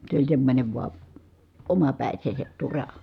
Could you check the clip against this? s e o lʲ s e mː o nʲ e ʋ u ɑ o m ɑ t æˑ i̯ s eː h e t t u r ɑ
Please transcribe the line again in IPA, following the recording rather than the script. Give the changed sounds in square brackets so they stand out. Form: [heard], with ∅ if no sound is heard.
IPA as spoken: s e o lʲ s e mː o nʲ e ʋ u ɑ o m ɑ [p] æˑ i̯ s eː [s] e t t u r ɑ